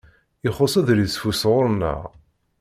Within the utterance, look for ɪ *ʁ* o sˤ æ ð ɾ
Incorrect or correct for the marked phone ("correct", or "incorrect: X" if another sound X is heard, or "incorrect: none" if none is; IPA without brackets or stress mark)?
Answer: incorrect: χ